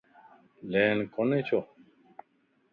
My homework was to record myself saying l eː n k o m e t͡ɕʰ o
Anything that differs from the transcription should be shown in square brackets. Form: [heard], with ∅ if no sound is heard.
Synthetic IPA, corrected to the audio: l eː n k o [n] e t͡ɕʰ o